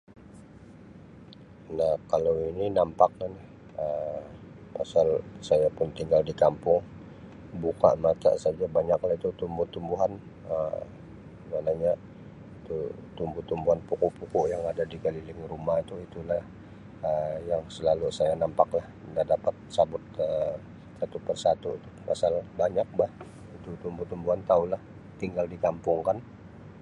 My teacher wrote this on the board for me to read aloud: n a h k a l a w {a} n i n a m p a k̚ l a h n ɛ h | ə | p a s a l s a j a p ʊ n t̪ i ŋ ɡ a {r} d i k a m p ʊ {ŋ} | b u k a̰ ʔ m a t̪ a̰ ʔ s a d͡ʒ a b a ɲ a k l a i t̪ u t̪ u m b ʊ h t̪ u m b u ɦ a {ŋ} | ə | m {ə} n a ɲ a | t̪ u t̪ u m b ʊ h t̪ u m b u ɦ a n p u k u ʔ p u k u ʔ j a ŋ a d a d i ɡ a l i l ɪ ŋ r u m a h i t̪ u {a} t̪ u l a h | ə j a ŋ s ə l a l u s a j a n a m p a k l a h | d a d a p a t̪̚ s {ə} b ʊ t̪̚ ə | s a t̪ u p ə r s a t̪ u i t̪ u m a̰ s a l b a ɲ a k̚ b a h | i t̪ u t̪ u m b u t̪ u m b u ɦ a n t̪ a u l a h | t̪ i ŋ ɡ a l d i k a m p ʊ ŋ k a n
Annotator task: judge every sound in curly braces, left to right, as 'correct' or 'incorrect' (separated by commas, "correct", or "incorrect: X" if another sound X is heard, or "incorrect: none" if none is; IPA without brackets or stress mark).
incorrect: i, incorrect: l, correct, incorrect: n, incorrect: a, incorrect: i, incorrect: a